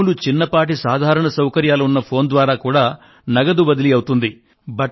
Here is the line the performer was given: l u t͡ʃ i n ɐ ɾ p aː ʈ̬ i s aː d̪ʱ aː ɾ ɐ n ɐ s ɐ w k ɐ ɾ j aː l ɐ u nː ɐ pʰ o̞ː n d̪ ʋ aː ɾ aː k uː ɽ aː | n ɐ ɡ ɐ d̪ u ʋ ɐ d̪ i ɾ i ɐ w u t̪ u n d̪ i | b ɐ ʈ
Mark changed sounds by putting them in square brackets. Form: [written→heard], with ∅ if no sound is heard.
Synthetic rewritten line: l u t͡ʃ i [n→nː] ɐ [ɾ→∅] p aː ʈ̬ i s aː d̪ʱ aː ɾ ɐ [n→ɳ] ɐ s ɐ w k ɐ ɾ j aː l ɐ u nː ɐ pʰ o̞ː n d̪ ʋ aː ɾ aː k uː ɽ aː | n ɐ ɡ ɐ d̪ u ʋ ɐ d̪ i [ɾ→l] i ɐ w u t̪ u n d̪ i | b ɐ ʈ